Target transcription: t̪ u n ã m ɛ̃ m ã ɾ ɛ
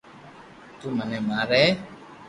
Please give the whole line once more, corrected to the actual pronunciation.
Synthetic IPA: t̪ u m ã n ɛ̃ m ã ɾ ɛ